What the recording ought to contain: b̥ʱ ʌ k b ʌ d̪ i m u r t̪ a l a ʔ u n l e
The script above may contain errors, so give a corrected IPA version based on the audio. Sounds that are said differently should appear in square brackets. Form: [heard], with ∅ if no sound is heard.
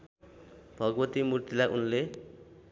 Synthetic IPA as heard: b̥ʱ ʌ [ɡ] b ʌ [t̪] i m u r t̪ [i] l a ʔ u n l e